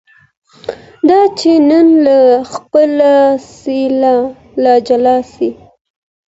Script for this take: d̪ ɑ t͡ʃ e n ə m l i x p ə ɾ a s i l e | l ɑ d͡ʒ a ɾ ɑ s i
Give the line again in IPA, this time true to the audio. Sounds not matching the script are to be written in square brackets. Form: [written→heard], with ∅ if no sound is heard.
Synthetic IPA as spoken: d̪ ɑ t͡ʃ e n ə [m→n] l [i→a] x p ə [ɾ→l] a s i l [e→a] | l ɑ d͡ʒ a [ɾ→l] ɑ s i